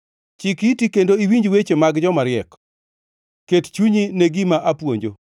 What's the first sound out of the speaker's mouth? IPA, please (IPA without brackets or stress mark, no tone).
t͡ʃ